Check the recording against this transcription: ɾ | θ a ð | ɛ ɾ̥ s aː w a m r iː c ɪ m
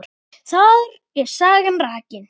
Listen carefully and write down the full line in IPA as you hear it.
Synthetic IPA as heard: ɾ | θ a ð | ɛ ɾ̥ s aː ɣ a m r aː c ɪ n